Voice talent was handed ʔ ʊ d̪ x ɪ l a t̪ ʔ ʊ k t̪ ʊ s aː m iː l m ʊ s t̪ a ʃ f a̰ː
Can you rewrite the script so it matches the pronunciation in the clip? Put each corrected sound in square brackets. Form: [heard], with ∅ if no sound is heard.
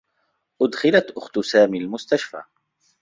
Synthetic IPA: ʔ ʊ d̪ x ɪ l a t̪ ʔ ʊ [x] t̪ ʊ s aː m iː l m ʊ s t̪ a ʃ f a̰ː